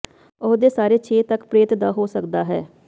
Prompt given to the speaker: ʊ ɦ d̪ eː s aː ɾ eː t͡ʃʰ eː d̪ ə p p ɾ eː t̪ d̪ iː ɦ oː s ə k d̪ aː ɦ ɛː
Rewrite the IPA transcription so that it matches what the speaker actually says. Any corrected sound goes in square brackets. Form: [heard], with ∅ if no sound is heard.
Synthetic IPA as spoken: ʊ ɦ d̪ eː s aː ɾ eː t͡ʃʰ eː [t̪] ə [k] p ɾ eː t̪ d̪ [aː] ɦ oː s ə k d̪ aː ɦ ɛː